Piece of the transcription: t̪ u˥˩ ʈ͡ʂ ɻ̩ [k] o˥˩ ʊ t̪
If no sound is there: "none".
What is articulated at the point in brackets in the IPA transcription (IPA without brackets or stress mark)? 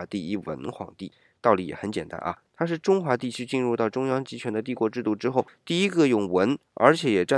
x